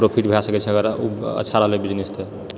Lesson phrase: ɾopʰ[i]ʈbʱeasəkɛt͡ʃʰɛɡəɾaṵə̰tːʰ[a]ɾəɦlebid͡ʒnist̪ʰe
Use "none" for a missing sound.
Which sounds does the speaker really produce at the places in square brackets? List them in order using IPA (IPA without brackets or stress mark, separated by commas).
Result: i, a